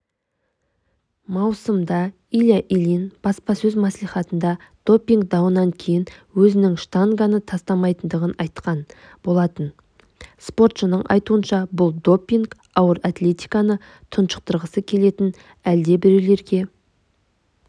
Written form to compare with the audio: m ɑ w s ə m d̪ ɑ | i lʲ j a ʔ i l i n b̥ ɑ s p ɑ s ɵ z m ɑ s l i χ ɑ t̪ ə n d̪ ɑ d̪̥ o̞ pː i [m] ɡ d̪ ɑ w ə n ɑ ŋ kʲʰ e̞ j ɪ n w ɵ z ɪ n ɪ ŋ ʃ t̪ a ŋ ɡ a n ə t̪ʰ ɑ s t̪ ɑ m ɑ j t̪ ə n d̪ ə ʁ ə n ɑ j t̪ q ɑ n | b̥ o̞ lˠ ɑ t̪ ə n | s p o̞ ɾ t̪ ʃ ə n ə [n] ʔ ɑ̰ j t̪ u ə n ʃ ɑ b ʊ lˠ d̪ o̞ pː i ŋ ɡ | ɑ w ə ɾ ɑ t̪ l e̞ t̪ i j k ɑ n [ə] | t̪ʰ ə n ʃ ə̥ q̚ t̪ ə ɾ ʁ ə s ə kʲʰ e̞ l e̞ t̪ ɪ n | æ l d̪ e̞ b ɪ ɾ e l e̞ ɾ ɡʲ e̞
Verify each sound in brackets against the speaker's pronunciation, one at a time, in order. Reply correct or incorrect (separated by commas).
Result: incorrect, incorrect, correct